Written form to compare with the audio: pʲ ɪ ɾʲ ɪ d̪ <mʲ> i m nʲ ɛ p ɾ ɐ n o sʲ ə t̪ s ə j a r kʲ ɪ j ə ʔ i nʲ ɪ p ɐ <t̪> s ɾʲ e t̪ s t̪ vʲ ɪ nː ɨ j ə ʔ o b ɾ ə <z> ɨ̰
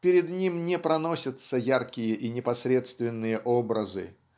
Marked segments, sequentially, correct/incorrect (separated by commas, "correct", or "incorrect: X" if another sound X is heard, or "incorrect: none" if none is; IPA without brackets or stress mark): incorrect: nʲ, incorrect: none, correct